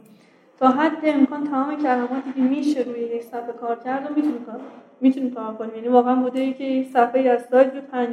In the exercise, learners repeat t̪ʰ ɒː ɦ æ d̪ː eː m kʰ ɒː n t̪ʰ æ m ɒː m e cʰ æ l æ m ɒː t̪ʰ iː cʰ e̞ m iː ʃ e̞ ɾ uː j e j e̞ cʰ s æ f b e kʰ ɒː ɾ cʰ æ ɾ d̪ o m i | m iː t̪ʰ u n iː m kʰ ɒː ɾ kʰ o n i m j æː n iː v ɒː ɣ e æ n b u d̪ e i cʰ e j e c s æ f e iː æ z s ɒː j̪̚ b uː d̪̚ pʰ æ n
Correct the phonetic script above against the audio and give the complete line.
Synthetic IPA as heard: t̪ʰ ɒː ɦ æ d̪ː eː m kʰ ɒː n t̪ʰ æ m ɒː m e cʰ æ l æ m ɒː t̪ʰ iː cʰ e̞ m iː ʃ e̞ ɾ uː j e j e̞ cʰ s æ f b e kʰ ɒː ɾ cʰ æ ɾ d̪ o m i | m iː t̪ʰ u n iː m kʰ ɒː ɾ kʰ o n i m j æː n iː v ɒː ɣ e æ n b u d̪ e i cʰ e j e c s æ f e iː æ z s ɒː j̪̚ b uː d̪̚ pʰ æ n